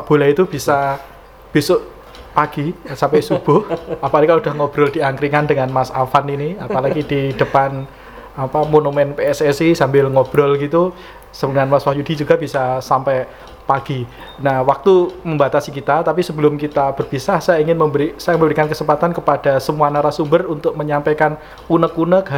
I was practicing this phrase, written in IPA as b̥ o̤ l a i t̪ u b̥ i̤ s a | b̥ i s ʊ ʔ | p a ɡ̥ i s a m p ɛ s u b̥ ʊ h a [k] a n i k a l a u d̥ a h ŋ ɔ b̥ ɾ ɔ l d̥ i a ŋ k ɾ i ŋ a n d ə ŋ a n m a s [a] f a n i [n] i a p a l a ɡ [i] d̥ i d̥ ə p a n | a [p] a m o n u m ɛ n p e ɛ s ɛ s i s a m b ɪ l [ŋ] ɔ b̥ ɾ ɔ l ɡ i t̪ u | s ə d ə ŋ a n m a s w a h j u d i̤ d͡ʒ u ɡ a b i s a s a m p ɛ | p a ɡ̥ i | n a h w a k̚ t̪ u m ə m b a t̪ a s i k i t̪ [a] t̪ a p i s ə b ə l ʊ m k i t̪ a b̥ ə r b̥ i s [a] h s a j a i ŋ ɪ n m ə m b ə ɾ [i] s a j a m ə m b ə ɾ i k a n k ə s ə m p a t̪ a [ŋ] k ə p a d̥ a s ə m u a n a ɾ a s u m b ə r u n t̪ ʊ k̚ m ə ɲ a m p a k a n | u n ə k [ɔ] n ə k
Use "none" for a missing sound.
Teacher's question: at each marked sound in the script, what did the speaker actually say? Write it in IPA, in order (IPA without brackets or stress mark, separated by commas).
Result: p, a, n, i, p, ŋ, a, a, i, n, u